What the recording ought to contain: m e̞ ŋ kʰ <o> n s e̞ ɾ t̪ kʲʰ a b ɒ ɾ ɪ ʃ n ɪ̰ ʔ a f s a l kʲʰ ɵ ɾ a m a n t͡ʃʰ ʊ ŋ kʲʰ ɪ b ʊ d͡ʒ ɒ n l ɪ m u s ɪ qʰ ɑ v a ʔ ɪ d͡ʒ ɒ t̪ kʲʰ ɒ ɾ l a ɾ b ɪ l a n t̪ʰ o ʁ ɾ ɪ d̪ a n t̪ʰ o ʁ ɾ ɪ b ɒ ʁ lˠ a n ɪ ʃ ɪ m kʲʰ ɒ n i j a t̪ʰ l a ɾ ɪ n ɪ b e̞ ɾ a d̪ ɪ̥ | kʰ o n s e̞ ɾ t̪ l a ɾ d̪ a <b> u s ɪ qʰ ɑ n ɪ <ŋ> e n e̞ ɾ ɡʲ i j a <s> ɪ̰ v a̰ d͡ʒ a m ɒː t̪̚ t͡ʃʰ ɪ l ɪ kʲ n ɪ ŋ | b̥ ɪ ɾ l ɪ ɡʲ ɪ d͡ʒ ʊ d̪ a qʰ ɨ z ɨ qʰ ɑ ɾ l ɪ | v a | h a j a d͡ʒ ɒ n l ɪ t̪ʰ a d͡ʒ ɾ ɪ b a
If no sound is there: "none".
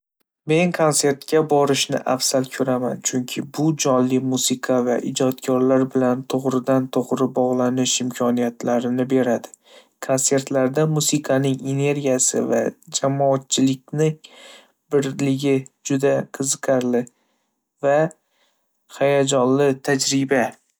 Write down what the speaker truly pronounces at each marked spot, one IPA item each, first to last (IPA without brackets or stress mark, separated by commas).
o, m, ŋ, s